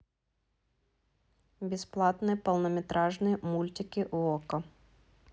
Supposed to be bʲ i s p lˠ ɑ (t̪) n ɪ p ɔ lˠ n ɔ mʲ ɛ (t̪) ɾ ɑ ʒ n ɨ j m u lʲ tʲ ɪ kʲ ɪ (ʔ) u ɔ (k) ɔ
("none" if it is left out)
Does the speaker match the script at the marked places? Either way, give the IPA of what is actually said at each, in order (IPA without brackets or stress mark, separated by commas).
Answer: t̪, t̪, ʔ, k